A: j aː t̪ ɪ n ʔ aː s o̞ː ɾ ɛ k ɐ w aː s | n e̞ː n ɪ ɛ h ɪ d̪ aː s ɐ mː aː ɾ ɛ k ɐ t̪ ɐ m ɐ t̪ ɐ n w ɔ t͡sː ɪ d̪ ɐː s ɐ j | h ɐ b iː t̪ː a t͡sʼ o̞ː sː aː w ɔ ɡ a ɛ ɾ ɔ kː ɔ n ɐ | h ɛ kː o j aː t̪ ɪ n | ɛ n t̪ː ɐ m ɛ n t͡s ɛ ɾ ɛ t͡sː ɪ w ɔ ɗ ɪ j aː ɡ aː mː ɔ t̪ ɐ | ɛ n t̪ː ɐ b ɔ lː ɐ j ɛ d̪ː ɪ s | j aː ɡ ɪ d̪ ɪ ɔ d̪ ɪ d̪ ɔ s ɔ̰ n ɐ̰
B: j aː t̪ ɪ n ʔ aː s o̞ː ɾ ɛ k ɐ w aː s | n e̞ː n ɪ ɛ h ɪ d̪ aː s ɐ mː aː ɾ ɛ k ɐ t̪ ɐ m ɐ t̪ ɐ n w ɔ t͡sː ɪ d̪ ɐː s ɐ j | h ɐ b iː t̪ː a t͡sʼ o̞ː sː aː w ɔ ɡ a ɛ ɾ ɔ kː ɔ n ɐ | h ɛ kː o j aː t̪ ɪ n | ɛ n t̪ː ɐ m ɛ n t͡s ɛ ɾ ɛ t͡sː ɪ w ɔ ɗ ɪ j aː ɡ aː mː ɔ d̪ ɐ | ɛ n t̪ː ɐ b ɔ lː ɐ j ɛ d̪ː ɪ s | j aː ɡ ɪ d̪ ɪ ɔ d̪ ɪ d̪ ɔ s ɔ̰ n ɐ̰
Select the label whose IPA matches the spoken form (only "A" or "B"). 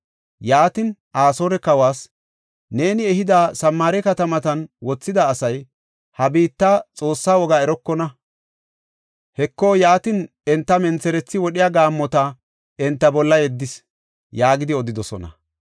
A